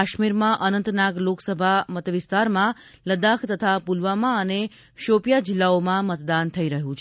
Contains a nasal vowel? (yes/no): yes